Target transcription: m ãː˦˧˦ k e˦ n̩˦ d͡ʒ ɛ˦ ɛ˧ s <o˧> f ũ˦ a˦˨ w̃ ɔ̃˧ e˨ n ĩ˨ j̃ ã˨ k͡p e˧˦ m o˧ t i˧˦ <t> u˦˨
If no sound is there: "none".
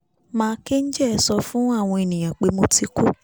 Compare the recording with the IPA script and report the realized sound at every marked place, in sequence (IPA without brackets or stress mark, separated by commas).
ɔ˧, k